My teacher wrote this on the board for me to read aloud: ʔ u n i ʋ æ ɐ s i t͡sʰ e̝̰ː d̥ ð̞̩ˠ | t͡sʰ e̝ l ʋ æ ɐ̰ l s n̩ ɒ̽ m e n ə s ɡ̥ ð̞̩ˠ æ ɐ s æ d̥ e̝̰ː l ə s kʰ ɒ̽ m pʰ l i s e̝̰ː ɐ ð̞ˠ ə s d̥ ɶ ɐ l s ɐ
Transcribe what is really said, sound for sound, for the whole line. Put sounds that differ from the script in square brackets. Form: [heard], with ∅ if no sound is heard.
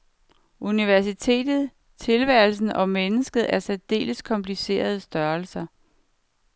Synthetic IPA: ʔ u n i ʋ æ ɐ s i t͡sʰ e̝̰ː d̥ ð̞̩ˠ | t͡sʰ e̝ l ʋ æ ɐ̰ l s n̩ ɒ̽ m e n ə s ɡ̥ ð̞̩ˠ æ ɐ s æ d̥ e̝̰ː l ə s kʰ ɒ̽ m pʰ l i s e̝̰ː ɐ ð̞ˠ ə s d̥ ɶ ɐ l s ɐ